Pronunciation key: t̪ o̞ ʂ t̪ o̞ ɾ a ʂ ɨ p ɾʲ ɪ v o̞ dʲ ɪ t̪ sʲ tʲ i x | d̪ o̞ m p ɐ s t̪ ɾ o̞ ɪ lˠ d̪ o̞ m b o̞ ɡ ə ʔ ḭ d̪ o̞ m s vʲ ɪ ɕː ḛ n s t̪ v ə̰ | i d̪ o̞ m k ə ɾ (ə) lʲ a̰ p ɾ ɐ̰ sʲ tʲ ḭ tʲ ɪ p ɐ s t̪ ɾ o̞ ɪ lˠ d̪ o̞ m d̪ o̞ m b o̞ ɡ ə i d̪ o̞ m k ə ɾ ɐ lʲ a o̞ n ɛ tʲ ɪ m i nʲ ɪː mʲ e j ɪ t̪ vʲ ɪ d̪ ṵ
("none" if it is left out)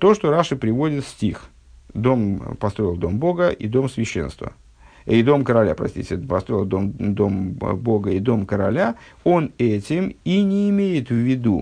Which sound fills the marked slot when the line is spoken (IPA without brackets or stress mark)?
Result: ɐ